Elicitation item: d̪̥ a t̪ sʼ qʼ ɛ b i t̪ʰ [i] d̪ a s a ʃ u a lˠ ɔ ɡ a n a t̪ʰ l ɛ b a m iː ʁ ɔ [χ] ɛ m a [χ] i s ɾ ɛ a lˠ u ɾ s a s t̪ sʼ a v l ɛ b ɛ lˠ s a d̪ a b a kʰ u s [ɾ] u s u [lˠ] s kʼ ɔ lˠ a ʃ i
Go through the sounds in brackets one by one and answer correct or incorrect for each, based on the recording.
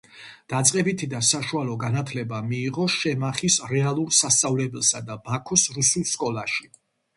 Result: correct, incorrect: ʃ, correct, correct, correct

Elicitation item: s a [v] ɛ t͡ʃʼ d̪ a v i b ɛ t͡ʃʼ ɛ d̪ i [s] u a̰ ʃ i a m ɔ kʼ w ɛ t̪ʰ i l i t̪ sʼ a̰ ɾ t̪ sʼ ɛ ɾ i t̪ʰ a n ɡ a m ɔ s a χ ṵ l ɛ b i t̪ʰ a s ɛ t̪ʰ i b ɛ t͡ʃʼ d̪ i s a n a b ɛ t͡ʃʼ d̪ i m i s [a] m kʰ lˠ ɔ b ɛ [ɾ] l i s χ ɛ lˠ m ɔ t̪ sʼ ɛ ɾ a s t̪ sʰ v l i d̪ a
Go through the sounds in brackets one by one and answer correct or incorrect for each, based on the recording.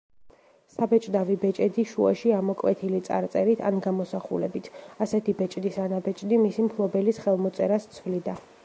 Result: incorrect: b, incorrect: ʃ, incorrect: i, incorrect: none

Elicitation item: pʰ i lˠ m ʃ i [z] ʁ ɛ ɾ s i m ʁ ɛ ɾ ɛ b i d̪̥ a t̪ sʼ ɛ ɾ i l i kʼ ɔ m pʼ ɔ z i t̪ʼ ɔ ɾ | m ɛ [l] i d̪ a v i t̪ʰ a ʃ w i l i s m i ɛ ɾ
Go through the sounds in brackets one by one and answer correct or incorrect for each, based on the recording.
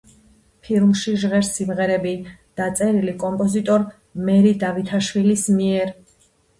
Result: incorrect: ʒ, incorrect: ɾ

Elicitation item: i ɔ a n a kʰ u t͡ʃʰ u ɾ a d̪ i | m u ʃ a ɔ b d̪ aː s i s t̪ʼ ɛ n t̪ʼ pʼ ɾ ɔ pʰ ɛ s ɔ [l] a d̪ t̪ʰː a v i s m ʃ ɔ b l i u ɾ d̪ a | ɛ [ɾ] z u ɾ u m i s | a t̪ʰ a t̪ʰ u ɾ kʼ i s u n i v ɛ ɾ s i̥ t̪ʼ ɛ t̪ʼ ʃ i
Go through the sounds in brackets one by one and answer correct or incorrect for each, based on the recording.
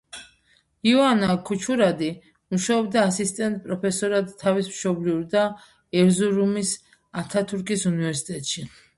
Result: incorrect: ɾ, correct

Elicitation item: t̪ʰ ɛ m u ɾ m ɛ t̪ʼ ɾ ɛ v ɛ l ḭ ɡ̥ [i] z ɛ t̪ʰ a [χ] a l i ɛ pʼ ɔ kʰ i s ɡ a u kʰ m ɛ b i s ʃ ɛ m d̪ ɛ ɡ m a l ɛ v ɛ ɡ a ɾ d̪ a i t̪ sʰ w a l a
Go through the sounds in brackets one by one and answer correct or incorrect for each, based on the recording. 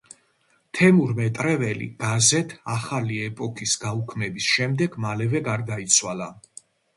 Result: incorrect: a, correct

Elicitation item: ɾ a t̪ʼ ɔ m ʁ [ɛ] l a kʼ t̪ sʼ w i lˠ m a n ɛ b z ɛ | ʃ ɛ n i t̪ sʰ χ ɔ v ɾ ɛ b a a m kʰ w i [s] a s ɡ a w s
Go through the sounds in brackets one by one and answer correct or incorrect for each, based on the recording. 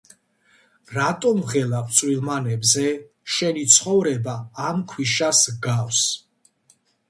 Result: correct, incorrect: ʃ

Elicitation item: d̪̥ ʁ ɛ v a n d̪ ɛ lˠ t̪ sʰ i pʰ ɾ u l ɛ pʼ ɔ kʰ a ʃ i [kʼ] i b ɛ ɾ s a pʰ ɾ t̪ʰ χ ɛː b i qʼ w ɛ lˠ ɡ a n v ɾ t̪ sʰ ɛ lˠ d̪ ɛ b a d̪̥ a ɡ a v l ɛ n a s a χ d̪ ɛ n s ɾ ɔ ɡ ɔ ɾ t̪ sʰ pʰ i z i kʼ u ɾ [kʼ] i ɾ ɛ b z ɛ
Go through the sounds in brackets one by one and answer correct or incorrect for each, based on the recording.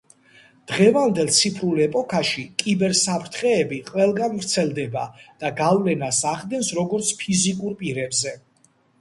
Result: correct, incorrect: pʼ

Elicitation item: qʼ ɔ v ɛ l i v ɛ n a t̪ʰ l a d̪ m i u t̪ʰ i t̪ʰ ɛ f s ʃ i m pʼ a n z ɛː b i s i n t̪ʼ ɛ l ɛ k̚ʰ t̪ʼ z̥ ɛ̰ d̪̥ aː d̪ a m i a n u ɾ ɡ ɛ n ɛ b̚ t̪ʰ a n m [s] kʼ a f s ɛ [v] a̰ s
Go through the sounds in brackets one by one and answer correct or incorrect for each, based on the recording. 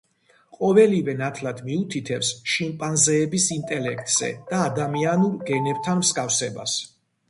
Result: correct, incorrect: b

